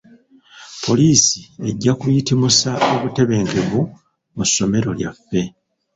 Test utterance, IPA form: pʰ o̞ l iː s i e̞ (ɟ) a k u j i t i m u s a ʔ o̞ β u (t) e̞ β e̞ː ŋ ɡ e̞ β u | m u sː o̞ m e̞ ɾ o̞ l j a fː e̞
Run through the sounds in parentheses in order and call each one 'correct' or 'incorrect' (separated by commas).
incorrect, correct